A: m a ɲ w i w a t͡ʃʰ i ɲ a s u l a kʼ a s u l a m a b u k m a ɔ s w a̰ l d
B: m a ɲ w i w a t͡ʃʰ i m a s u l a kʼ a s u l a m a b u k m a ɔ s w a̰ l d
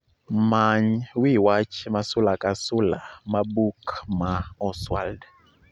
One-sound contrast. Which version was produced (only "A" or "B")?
B